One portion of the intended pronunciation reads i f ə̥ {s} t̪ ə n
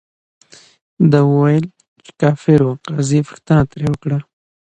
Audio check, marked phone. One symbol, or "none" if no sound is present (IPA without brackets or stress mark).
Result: x